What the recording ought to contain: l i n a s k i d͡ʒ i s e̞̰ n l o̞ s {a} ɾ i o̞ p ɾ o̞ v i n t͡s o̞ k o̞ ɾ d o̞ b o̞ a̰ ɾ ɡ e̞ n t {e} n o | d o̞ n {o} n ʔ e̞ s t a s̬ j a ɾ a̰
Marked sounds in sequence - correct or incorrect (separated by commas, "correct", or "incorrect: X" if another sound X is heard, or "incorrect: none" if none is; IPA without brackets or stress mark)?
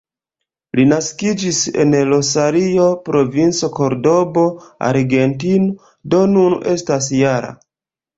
correct, incorrect: i, incorrect: u